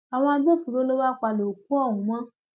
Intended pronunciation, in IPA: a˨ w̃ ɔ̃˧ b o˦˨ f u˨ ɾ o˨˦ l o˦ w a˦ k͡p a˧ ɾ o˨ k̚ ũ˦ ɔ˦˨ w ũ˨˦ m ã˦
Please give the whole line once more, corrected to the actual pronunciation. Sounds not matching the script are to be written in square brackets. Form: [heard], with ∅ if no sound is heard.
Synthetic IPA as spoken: a˨ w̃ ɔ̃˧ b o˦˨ f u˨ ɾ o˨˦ l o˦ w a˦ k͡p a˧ [l] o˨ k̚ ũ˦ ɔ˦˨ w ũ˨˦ m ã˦